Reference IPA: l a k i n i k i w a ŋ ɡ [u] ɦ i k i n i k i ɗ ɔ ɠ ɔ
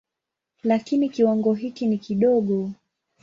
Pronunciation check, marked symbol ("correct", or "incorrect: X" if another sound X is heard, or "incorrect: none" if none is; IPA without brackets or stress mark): incorrect: ɔ